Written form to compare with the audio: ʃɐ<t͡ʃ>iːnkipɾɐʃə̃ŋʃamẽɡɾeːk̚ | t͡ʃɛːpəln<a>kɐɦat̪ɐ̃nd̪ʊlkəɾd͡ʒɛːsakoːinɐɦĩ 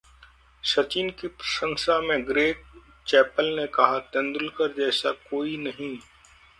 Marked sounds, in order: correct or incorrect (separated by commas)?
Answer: correct, incorrect